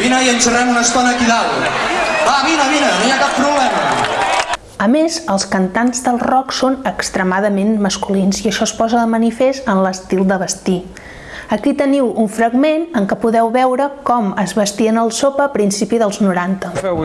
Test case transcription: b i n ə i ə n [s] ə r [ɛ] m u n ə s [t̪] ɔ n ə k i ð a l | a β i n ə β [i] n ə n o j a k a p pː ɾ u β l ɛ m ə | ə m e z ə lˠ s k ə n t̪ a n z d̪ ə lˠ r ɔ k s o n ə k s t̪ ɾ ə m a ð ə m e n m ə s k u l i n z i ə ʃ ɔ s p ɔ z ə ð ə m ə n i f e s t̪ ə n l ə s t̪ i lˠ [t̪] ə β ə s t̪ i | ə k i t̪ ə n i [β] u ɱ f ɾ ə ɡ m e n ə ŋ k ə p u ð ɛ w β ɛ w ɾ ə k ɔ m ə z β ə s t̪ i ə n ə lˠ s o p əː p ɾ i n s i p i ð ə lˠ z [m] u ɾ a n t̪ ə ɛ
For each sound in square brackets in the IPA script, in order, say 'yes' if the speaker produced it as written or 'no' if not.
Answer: yes, yes, yes, yes, no, no, no

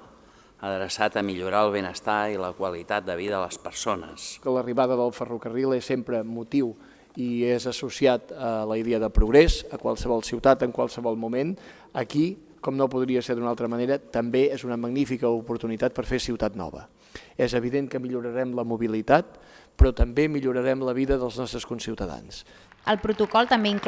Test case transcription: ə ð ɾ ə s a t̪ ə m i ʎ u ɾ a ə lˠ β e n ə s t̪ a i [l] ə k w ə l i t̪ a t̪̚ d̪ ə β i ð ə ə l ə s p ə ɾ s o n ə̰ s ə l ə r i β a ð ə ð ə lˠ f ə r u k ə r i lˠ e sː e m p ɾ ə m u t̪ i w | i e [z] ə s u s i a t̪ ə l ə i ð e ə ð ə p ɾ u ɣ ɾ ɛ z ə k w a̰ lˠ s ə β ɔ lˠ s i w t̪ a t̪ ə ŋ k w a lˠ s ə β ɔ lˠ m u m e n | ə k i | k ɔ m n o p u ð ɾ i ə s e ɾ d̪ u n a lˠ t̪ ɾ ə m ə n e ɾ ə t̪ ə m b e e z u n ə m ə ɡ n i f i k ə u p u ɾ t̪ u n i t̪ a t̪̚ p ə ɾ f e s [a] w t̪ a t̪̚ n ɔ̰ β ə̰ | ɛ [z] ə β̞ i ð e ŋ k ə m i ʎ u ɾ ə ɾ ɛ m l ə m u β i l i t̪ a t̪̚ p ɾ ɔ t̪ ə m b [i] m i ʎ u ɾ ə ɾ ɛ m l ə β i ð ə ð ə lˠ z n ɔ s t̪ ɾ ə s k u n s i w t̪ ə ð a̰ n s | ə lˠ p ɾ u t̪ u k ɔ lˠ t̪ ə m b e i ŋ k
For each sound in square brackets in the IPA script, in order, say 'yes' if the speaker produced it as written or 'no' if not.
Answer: yes, yes, no, yes, no

